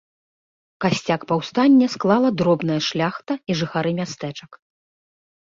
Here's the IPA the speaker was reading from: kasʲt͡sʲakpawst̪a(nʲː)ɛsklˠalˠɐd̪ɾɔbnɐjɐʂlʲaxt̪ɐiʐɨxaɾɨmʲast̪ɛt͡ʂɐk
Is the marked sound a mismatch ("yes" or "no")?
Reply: no